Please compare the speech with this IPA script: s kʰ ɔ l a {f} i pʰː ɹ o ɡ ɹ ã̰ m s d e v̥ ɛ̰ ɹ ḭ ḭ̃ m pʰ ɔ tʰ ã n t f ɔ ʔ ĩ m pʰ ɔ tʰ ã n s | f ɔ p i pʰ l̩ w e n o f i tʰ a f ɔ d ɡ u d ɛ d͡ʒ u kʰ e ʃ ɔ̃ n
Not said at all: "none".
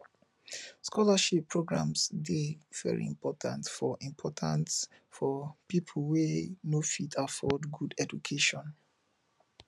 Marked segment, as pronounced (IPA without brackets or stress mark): ʃ